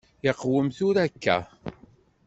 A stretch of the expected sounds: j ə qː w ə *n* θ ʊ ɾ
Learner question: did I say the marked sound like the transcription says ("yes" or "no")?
no